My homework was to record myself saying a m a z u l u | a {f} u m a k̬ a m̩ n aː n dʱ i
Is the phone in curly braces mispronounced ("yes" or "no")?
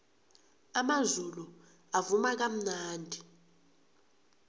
yes